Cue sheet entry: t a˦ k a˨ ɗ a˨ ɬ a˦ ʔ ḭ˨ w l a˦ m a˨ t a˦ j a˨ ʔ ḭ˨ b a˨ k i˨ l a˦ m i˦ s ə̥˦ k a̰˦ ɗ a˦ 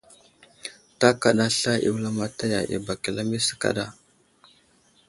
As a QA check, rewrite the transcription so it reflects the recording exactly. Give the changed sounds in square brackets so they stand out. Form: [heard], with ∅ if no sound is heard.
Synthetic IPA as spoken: t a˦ k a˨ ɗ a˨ ɬ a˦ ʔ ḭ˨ w l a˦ m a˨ t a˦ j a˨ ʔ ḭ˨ b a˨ k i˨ l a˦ m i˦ s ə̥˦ k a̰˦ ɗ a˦